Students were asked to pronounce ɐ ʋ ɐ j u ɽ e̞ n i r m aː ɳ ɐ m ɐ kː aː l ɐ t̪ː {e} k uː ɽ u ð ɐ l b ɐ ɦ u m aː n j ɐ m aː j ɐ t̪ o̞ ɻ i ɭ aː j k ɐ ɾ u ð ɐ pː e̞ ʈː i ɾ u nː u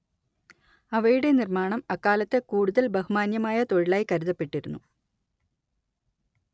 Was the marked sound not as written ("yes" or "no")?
no